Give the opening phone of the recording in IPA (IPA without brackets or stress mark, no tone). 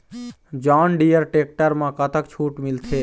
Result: d͡ʒ